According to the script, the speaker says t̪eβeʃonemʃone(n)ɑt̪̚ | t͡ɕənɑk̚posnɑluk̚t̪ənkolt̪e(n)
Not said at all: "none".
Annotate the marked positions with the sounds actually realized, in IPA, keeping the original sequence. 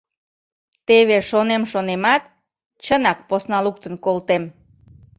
m, m

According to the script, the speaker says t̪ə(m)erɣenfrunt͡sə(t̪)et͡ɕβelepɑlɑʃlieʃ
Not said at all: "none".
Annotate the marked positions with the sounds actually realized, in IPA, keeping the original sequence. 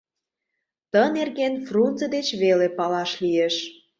n, d̪

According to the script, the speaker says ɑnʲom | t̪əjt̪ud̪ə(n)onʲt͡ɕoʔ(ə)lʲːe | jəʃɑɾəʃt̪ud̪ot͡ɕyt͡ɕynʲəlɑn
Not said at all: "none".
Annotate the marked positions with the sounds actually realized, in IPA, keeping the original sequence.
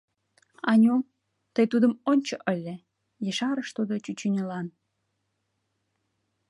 m, ə

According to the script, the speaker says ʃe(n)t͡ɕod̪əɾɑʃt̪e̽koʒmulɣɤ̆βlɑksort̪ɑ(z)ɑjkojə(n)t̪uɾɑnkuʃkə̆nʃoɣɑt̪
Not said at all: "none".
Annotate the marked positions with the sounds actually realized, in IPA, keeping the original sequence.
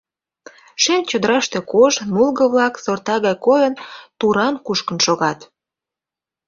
n, ɣ, n

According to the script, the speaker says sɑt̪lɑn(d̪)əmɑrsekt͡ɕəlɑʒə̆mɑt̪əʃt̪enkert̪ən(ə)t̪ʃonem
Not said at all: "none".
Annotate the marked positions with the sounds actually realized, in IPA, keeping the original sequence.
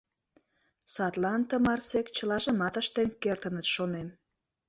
t̪, ə

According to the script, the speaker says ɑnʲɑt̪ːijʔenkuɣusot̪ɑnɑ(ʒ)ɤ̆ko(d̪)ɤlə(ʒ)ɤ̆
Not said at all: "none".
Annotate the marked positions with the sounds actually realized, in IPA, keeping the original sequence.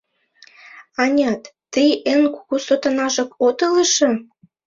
ʒ, t̪, ʃ

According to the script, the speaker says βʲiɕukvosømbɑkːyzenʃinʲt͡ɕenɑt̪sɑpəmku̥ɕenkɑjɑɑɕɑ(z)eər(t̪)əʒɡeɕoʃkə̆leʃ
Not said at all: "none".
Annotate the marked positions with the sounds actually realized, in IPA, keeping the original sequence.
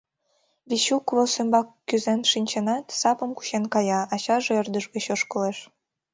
ʒ, d̪

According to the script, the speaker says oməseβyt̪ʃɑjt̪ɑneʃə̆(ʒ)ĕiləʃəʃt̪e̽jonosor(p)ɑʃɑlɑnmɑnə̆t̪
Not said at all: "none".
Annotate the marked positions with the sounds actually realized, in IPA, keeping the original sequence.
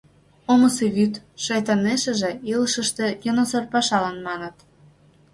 ʒ, p

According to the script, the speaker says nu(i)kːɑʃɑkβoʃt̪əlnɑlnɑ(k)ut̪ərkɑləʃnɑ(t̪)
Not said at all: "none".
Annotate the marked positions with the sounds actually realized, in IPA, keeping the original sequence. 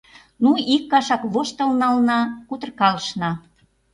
i, k, none

